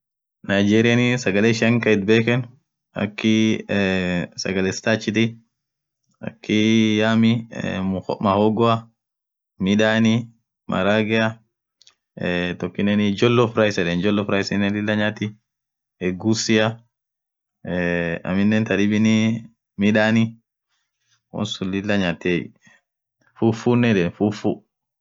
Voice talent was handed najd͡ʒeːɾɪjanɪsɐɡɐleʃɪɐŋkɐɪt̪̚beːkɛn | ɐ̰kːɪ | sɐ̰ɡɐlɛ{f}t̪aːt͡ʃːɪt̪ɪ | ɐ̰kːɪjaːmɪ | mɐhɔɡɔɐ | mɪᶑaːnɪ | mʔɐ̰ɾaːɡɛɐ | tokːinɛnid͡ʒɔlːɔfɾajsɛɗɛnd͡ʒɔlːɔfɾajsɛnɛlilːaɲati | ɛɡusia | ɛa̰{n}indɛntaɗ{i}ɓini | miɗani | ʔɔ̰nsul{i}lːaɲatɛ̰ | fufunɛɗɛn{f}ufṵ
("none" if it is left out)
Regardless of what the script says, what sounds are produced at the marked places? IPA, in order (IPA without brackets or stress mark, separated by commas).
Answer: s, m, i, i, f